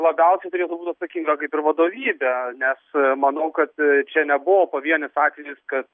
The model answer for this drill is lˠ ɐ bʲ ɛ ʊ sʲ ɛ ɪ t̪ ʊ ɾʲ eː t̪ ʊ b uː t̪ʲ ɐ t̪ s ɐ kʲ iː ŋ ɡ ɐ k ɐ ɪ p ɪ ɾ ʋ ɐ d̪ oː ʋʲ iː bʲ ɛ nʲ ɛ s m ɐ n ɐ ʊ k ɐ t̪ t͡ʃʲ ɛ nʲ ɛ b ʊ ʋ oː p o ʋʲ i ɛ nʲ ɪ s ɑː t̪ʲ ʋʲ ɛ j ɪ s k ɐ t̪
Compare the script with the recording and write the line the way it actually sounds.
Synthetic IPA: lˠ ɐ bʲ ɛ ʊ sʲ ɛ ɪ t̪ ʊ ɾʲ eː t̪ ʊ b uː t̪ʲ ɐ t̪ s ɐ kʲ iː ŋ ɡ ɐ k ɐ ɪ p ɪ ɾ ʋ ɐ d̪ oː ʋʲ iː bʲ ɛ nʲ ɛ s m ɐ n ɐ ʊ k ɐ t̪ t͡ʃʲ ɛ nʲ ɛ b ʊ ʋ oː p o ʋʲ i ɛ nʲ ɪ s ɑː t̪ʲ ʋʲ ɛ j ɪ s k ɐ t̪